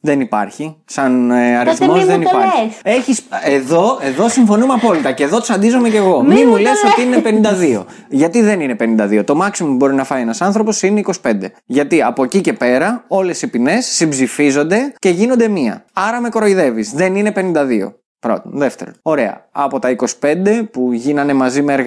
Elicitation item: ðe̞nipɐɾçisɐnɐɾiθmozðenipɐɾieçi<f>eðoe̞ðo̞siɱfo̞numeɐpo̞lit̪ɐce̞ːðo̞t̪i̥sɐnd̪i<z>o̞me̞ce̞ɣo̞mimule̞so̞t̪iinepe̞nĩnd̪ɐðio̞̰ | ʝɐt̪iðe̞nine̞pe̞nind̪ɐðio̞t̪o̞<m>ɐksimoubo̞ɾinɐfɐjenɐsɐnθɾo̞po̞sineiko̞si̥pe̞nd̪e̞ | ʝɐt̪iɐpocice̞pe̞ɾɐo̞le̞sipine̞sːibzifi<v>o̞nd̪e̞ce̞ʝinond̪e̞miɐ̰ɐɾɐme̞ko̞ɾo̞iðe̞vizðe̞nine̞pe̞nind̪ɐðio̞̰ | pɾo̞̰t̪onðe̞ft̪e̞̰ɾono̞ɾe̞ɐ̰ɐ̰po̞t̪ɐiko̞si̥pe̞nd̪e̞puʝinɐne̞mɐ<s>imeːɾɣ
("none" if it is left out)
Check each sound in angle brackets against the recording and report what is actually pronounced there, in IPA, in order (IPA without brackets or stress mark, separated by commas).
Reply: s, z, m, z, z